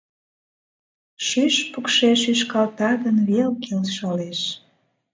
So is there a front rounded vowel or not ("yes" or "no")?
yes